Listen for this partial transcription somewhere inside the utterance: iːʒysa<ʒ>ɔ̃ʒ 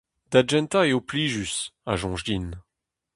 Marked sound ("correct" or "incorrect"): correct